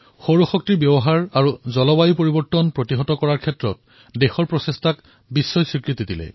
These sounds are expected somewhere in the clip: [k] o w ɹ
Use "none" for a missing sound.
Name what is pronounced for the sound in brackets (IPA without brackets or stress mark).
x